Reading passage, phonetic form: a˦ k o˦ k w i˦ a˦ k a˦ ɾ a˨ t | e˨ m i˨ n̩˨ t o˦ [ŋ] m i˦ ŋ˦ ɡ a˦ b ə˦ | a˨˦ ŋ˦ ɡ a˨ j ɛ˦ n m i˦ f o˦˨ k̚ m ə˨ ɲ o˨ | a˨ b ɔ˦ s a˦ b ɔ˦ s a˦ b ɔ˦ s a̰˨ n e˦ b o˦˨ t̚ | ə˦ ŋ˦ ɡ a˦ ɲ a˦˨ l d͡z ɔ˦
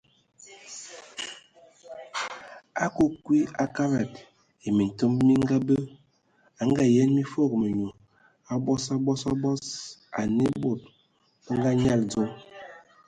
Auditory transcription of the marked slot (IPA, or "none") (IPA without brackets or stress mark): m